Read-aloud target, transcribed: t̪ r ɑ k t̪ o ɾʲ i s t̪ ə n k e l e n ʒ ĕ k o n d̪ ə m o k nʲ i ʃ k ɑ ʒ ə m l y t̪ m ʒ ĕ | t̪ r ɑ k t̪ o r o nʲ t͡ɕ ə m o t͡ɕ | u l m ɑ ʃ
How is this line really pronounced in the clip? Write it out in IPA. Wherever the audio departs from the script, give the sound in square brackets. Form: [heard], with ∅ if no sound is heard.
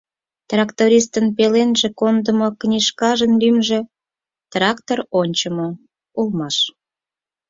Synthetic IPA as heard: t̪ r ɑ k t̪ o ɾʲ i s t̪ ə n [p] e l e n ʒ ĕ k o n d̪ ə m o k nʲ i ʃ k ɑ ʒ ə [n] l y [∅] m ʒ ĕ | t̪ r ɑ k t̪ o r o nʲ t͡ɕ ə m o [∅] | u l m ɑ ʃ